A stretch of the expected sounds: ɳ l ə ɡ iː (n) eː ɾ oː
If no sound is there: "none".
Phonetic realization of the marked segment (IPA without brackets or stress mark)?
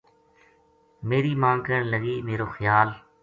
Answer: m